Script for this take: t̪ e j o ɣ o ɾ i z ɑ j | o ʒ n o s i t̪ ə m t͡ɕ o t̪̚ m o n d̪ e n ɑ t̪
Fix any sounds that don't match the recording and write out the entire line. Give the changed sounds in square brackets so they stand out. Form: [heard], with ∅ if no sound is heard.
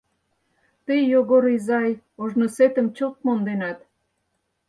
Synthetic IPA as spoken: t̪ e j o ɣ o ɾ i z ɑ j | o ʒ n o s [e] t̪ ə m t͡ɕ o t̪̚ m o n d̪ e n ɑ t̪